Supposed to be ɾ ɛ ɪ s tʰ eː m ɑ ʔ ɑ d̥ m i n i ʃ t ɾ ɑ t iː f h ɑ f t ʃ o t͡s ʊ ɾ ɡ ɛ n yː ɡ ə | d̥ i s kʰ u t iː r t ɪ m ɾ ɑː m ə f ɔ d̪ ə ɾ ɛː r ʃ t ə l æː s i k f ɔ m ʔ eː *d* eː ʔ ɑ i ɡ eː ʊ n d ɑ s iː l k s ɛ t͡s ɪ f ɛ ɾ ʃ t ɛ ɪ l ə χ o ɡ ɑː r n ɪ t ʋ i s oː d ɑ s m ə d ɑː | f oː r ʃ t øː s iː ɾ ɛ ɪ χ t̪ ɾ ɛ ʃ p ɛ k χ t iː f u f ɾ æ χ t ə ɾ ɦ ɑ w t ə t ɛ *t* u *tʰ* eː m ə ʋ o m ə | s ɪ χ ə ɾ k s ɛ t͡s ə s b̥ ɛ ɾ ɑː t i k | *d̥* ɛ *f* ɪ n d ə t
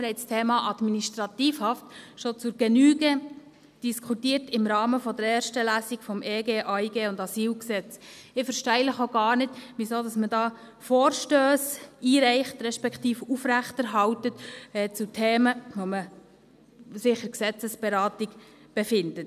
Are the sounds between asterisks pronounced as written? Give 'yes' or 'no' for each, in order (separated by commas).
no, no, yes, no, yes